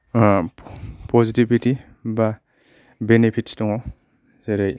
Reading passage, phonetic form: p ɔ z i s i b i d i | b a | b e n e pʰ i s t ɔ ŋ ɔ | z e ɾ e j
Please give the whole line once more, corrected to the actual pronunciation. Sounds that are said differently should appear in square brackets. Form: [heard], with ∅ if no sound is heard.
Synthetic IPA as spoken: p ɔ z i [t] i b i [t] i | b a | b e n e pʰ i [t] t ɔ ŋ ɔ | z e ɾ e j